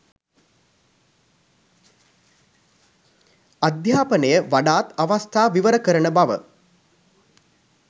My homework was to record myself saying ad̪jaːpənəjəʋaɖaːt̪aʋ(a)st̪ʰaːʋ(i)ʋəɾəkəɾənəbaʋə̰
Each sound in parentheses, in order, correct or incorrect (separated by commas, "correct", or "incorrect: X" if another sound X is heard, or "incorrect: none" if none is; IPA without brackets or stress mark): correct, correct